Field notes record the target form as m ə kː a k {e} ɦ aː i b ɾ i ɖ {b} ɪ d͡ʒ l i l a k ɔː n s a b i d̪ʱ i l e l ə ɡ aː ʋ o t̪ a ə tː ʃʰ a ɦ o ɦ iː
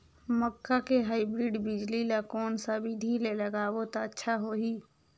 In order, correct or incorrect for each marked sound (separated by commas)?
correct, correct